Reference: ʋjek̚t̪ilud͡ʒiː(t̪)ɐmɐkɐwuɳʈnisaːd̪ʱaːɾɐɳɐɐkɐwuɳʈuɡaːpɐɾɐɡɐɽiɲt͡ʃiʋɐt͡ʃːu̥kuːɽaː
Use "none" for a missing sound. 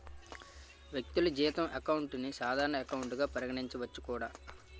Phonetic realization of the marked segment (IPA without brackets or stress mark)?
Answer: t̪